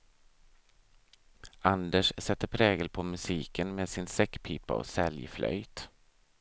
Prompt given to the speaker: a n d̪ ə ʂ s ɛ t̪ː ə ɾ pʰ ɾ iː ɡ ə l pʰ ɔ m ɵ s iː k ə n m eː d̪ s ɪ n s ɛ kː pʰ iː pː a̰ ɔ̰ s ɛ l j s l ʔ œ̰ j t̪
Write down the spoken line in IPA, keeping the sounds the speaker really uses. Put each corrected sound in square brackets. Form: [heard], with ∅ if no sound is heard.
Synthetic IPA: a n d̪ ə ʂ s ɛ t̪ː ə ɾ pʰ ɾ [ɛː] ɡ ə l pʰ ɔ m ɵ s iː k ə n m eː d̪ s ɪ n s ɛ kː pʰ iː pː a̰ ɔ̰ s ɛ l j [f] l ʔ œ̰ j t̪